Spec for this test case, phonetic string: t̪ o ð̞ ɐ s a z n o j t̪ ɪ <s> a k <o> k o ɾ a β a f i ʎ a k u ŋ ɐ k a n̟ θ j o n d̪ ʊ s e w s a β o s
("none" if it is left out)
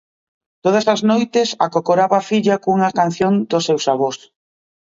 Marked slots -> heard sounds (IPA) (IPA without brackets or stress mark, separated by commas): s, o